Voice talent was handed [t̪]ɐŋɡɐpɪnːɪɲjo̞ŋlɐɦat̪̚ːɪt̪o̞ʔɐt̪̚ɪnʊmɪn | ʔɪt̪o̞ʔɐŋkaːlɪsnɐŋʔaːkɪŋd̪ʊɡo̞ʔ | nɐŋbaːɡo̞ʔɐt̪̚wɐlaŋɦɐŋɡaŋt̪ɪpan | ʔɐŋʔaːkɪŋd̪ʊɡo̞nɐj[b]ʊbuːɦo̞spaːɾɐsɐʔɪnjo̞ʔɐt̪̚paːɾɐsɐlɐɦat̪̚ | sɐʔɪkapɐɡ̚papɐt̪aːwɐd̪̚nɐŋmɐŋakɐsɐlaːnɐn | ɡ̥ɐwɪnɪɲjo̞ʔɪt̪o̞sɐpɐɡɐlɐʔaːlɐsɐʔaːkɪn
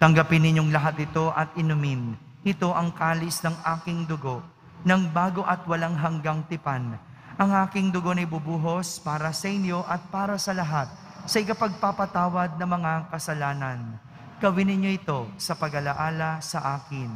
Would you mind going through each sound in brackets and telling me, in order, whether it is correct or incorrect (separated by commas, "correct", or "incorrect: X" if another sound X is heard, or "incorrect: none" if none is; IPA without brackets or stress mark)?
correct, correct